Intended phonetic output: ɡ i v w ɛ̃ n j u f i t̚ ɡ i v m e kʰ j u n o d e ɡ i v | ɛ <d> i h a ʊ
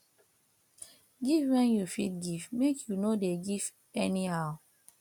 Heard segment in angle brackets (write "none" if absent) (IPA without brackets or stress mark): n